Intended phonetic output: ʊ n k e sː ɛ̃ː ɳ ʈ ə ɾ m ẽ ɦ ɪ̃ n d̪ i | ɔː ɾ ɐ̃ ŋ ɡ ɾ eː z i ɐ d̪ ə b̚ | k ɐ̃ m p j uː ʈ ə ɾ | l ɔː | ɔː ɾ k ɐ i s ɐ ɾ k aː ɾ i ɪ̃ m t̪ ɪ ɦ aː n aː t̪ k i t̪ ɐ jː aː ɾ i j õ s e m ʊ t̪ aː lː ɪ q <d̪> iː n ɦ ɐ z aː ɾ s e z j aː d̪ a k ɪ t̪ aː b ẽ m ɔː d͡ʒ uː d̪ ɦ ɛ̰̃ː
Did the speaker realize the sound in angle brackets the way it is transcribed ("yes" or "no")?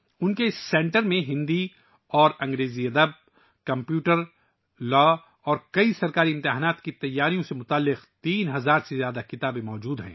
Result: no